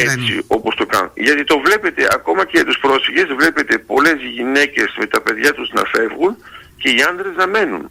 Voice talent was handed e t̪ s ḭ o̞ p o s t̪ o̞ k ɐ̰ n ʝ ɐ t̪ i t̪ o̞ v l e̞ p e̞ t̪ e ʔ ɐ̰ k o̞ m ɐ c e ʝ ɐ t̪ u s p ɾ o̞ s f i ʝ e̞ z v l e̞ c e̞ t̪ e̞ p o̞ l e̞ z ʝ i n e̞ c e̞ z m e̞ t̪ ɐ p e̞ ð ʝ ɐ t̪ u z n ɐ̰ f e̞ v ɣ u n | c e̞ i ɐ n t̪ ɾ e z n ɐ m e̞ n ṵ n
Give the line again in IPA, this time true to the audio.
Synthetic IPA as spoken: e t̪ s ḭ o̞ p o s t̪ o̞ k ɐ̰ n ʝ ɐ t̪ i t̪ o̞ v l e̞ p e̞ t̪ e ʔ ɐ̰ k o̞ m ɐ c e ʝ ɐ t̪ u s p ɾ o̞ s f i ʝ e̞ z v l e̞ p e̞ t̪ e̞ p o̞ l e̞ z ʝ i n e̞ c e̞ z m e̞ t̪ ɐ p e̞ ð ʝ ɐ t̪ u z n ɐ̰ f e̞ v ɣ u n | c e̞ i ɐ n d̪ ɾ e z n ɐ m e̞ n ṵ n